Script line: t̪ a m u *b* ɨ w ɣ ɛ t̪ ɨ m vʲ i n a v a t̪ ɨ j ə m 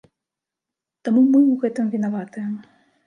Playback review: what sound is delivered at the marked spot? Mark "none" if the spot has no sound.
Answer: m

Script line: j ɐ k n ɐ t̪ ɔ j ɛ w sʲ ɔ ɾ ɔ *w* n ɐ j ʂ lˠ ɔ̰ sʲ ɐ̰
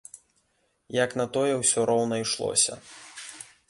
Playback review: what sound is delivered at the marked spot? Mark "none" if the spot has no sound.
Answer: w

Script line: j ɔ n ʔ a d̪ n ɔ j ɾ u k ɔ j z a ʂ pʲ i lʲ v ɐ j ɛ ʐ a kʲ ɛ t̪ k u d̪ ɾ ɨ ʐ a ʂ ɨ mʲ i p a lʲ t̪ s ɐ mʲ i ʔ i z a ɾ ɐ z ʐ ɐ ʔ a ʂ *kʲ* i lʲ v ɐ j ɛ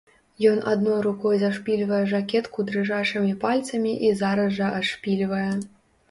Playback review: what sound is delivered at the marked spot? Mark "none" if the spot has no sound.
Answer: pʲ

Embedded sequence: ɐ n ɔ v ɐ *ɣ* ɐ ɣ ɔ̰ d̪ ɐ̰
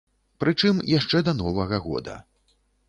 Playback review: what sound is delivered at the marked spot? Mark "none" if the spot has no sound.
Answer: ɣ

